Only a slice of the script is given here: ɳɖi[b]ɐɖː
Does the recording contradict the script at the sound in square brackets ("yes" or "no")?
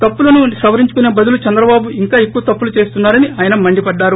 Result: yes